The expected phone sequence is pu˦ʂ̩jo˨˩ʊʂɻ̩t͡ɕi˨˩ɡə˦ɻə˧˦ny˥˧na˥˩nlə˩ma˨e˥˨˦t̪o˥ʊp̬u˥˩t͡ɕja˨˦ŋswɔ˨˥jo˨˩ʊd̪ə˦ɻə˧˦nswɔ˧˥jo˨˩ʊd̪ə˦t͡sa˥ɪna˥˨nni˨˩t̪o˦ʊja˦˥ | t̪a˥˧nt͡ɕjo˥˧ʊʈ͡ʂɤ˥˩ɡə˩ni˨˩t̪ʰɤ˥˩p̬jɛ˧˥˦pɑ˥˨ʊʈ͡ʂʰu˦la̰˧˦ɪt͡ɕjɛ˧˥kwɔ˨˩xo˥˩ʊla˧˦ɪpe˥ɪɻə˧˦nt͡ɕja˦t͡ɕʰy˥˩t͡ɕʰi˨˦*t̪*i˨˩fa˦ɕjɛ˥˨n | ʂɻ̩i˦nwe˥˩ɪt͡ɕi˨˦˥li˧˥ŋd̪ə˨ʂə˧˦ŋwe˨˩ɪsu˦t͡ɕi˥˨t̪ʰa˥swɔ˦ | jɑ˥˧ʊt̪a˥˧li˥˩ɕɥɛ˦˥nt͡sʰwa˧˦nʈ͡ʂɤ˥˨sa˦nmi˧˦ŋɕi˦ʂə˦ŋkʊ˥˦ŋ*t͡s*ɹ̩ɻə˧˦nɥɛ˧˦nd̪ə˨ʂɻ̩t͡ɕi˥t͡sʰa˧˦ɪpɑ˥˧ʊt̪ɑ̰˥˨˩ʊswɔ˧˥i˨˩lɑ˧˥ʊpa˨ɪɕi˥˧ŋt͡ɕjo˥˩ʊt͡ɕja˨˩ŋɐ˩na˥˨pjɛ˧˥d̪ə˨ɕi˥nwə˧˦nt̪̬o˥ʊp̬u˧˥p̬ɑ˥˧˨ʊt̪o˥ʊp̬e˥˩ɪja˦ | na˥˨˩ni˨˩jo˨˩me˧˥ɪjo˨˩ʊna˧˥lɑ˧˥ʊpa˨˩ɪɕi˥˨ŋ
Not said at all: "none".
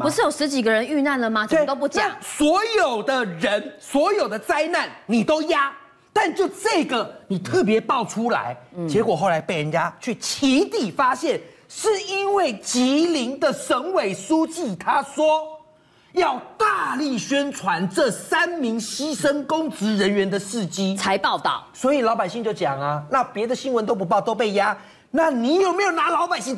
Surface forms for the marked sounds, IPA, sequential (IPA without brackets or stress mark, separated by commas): t̪, t͡s